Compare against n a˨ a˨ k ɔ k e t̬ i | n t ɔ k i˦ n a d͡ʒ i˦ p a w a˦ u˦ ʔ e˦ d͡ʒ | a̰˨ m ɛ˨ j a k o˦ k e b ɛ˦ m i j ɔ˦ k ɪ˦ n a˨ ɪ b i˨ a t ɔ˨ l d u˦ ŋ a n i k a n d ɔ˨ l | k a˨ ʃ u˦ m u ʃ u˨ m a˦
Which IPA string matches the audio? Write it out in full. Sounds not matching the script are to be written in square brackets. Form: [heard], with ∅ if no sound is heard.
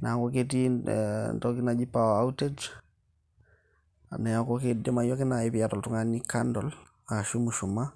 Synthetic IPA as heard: n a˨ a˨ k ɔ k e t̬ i | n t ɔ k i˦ n a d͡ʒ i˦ p a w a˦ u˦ [t] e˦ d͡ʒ | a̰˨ [n] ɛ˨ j a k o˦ k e [d] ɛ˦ m [a] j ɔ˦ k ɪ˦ n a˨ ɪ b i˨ a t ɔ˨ l [t] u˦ ŋ a n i k a n d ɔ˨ l | k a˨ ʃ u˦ m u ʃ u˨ m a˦